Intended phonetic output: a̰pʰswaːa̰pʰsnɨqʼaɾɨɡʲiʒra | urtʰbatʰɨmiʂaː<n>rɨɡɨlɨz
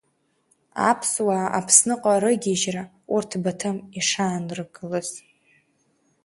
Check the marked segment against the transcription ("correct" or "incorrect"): correct